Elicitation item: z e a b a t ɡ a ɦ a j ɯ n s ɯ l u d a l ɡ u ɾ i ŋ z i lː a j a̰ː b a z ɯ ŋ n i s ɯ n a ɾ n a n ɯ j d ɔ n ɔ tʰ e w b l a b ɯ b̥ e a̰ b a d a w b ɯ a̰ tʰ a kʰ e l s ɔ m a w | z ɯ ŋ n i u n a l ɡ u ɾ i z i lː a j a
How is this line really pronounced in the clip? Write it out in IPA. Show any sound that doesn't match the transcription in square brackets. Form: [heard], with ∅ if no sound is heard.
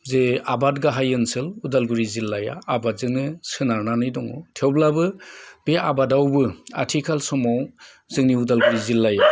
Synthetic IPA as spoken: z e a b a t ɡ a ɦ a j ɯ n s ɯ l u d a l ɡ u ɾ i [∅] z i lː a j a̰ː b a z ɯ ŋ n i s ɯ n a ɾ n a n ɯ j d ɔ [ŋ] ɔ tʰ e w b l a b ɯ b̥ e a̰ b a d a w b ɯ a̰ tʰ [i] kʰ [a] l s ɔ m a w | z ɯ ŋ n i u [d] a l ɡ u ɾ i z i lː a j a